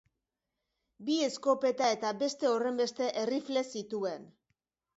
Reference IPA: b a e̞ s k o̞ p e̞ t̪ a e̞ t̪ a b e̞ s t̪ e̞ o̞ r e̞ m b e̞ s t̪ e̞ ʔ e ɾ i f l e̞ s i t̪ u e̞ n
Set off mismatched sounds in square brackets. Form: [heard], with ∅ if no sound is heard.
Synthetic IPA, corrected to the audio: b [i] e̞ s k o̞ p e̞ t̪ a e̞ t̪ a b e̞ s t̪ e̞ o̞ r e̞ m b e̞ s t̪ e̞ ʔ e [r] i f l e̞ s i t̪ u e̞ n